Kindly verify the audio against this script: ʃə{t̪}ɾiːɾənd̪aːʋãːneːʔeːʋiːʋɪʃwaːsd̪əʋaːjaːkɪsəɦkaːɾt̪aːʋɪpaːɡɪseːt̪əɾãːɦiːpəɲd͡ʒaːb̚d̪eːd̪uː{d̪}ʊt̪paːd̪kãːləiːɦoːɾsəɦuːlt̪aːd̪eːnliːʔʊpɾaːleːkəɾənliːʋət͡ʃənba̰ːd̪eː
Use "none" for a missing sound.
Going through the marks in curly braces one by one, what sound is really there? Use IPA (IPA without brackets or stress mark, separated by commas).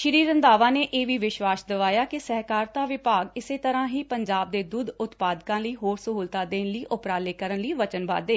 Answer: none, d̪